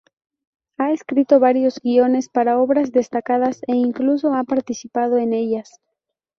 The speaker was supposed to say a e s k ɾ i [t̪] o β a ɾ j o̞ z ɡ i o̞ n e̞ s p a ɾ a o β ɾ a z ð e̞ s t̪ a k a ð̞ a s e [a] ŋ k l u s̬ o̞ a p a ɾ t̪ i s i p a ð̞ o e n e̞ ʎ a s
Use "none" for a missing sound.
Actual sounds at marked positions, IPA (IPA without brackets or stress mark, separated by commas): t̪, i